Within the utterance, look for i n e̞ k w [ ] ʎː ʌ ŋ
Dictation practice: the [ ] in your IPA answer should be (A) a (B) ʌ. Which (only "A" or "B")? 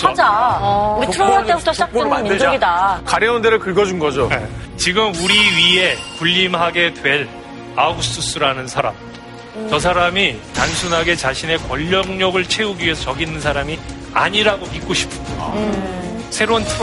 B